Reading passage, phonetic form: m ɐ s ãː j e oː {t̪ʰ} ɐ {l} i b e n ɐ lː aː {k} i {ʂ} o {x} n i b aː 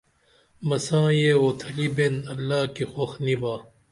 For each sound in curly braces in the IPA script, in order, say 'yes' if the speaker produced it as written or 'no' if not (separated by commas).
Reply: yes, yes, yes, no, yes